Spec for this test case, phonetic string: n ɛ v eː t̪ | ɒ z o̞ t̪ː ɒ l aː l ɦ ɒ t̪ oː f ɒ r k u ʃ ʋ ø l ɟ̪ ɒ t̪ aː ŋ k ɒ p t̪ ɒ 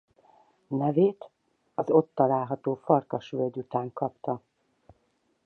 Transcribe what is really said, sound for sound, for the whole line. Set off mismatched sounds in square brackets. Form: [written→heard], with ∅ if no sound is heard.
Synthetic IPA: n ɛ v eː t̪ | ɒ z o̞ t̪ː ɒ l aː l ɦ ɒ t̪ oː f ɒ r k [u→ɒ] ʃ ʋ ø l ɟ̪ [ɒ→u] t̪ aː ŋ k ɒ p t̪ ɒ